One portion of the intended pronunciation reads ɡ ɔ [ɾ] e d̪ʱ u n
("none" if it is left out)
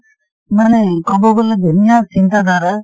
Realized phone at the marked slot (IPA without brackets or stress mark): l